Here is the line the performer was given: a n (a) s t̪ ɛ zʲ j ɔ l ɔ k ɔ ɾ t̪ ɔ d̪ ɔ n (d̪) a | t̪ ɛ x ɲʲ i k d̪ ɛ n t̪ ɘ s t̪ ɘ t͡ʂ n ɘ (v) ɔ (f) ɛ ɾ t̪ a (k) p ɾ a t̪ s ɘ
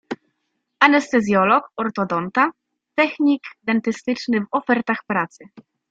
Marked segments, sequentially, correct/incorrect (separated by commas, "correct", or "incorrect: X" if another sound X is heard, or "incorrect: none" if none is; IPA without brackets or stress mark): incorrect: ɛ, incorrect: t̪, correct, correct, incorrect: x